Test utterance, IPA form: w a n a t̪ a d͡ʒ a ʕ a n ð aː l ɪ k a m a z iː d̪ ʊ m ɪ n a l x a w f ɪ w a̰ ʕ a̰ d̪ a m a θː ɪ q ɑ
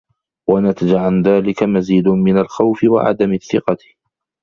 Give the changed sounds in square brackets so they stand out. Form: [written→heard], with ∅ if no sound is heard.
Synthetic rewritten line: w a n a t̪ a d͡ʒ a ʕ a n ð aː l ɪ k a m a z iː d̪ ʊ m ɪ n a l x a w f ɪ w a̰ ʕ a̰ d̪ a m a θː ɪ q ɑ